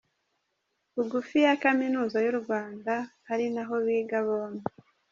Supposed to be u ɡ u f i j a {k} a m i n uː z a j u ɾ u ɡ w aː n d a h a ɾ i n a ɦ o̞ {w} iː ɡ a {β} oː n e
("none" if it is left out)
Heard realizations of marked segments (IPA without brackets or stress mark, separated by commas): k, β, β